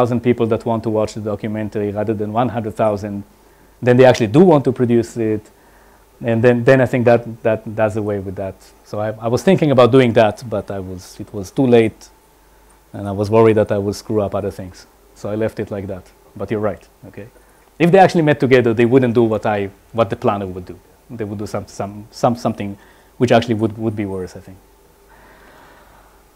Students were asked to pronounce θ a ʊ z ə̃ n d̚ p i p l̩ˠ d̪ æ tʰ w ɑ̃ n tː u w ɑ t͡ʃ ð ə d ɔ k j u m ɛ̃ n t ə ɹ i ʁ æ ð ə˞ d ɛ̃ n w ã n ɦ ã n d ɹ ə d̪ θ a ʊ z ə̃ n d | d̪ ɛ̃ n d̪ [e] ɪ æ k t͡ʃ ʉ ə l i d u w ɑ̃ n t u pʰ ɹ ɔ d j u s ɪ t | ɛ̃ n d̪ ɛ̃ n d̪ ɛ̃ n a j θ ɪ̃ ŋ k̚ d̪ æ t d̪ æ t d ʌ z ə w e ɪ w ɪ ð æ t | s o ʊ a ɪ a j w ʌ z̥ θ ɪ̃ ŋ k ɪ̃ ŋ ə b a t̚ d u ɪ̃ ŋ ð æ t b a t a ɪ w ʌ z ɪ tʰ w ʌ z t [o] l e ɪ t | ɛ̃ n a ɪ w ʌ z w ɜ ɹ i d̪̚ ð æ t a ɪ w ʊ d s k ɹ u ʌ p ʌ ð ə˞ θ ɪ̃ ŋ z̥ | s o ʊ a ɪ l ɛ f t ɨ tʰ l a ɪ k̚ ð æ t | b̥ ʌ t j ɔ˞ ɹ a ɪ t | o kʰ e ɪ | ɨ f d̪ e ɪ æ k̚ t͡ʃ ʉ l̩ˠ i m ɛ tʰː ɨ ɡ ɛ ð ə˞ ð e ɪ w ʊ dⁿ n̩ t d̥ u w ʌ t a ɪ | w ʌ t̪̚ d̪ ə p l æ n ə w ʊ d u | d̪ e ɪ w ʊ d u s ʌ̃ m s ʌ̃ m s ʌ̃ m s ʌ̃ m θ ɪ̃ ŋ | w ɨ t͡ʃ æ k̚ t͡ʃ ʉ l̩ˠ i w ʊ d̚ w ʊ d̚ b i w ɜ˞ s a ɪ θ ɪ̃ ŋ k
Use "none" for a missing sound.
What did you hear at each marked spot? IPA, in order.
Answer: e, u

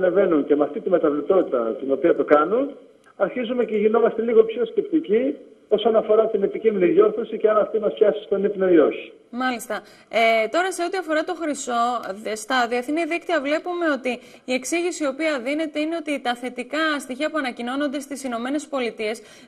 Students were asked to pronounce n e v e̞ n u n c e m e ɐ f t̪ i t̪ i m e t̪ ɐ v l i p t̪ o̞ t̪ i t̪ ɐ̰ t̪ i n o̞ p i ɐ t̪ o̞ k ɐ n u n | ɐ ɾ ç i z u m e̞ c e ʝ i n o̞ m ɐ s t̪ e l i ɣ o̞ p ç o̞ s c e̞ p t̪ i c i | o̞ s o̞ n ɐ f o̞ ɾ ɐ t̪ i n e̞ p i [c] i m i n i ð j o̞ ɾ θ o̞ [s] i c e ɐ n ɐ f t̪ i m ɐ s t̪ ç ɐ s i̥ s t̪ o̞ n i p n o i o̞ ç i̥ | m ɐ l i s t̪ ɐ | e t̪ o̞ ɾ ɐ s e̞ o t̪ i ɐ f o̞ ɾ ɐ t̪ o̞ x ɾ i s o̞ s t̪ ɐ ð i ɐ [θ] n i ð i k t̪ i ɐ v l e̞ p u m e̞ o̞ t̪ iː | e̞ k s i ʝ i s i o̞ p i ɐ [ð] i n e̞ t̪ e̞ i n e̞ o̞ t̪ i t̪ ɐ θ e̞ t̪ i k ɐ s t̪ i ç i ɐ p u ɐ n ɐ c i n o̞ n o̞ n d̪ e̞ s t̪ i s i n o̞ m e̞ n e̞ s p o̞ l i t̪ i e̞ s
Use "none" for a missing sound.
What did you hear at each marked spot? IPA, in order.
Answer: c, s, θ, ð

